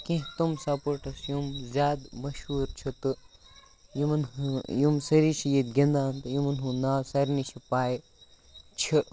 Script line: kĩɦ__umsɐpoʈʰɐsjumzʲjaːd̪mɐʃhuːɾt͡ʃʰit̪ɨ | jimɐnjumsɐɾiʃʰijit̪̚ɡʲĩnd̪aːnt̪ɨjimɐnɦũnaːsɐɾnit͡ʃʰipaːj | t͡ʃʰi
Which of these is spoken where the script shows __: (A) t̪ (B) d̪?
A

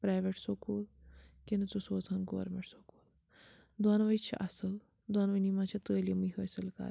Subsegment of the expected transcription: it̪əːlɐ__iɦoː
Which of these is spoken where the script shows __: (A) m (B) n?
A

